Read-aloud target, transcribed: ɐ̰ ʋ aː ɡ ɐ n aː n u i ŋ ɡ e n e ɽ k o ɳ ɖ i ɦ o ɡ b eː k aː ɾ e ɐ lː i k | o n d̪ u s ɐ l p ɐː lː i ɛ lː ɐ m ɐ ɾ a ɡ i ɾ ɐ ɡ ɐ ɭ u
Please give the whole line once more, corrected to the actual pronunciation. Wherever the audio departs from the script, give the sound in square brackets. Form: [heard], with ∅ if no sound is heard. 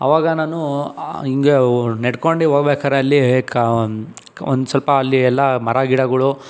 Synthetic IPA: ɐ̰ ʋ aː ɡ ɐ n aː n u i ŋ ɡ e n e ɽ k o ɳ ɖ i ɦ o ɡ b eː k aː ɾ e ɐ lː i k | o n d̪ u s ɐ l p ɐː lː i ɛ lː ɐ m ɐ ɾ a ɡ i [ɽ] ɐ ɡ ɐ ɭ u